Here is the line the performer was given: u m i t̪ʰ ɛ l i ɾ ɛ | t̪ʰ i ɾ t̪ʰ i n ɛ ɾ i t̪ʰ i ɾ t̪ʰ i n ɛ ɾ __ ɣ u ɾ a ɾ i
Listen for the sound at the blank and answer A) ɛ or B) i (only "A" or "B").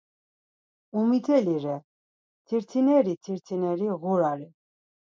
B